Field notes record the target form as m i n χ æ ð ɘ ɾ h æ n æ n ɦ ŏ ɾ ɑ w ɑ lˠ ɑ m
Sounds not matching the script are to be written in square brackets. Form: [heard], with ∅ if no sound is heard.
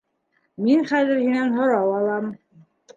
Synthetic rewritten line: m i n χ æ ð ɘ ɾ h [i] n æ n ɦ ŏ ɾ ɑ w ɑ lˠ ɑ m